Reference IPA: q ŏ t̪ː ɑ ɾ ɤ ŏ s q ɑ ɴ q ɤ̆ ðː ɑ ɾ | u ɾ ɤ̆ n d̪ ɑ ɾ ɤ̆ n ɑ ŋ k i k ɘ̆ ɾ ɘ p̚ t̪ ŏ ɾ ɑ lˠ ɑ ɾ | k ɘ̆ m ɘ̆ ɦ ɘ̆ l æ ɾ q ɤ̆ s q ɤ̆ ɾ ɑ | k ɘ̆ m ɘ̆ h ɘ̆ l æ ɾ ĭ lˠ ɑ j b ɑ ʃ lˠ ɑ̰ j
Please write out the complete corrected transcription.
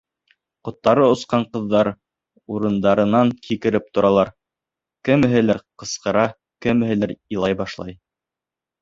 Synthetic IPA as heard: q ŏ t̪ː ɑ ɾ ɤ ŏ s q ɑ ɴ q ɤ̆ ðː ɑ ɾ | u ɾ ɤ̆ n d̪ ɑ ɾ ɤ̆ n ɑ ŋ k i k ɘ̆ ɾ ɘ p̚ t̪ ŏ ɾ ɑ lˠ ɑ ɾ | k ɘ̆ m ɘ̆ ɦ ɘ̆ l æ ɾ q ɤ̆ s q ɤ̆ ɾ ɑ | k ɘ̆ m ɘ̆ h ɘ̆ l æ ɾ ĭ lˠ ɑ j b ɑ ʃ lˠ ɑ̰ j